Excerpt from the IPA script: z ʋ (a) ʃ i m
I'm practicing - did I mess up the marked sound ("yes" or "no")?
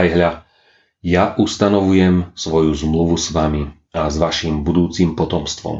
no